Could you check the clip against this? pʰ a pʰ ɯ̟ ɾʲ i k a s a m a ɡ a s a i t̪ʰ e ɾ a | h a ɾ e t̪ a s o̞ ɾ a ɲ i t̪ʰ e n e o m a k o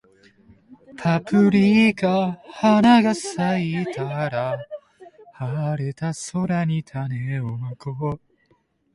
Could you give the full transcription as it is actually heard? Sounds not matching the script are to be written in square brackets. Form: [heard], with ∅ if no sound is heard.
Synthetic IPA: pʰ a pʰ ɯ̟ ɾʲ i k a [h] a [n] a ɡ a s a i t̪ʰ [a] ɾ a | h a ɾ e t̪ a s o̞ ɾ a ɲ i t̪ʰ [a] n e o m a k o

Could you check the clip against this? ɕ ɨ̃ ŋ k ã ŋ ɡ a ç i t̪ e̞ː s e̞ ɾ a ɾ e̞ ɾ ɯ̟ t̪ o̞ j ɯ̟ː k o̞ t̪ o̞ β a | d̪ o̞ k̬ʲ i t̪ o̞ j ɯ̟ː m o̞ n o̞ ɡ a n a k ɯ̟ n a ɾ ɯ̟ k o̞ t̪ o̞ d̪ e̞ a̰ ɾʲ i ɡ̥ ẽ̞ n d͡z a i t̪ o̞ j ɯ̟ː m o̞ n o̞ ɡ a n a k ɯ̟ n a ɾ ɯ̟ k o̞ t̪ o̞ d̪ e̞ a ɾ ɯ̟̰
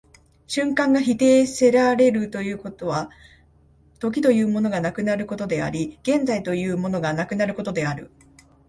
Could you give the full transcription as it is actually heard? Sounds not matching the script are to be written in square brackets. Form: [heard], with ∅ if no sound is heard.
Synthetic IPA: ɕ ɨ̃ ŋ k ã ŋ ɡ a ç i t̪ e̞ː s e̞ ɾ a ɾ e̞ ɾ ɯ̟ t̪ o̞ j ɯ̟ː k o̞ t̪ o̞ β a | [t̪] o̞ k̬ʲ i t̪ o̞ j ɯ̟ː m o̞ n o̞ ɡ a n a k ɯ̟ n a ɾ ɯ̟ k o̞ t̪ o̞ d̪ e̞ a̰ ɾʲ i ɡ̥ ẽ̞ n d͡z a i t̪ o̞ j ɯ̟ː m o̞ n o̞ ɡ a n a k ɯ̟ n a ɾ ɯ̟ k o̞ t̪ o̞ d̪ e̞ a ɾ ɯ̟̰

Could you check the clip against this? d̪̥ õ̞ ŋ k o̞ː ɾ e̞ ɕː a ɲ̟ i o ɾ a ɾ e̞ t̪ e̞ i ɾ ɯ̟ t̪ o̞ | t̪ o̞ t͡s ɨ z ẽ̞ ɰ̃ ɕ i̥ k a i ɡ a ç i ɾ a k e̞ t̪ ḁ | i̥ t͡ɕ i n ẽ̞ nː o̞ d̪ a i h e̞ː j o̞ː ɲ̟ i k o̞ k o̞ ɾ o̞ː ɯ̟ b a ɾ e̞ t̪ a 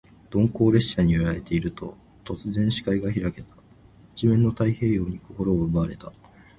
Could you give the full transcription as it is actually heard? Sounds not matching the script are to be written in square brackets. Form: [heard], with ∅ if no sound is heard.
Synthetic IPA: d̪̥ õ̞ ŋ k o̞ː ɾ e̞ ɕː a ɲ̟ i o ɾ a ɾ e̞ t̪ e̞ i ɾ ɯ̟ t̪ o̞ | t̪ o̞ t͡s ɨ z ẽ̞ ɰ̃ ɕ i̥ k a i ɡ a ç i ɾ a k e̞ t̪ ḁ | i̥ t͡ɕ i [m] ẽ̞ nː o̞ [t̪] a i h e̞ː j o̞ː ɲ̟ i k o̞ k o̞ ɾ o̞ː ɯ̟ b a ɾ e̞ t̪ a

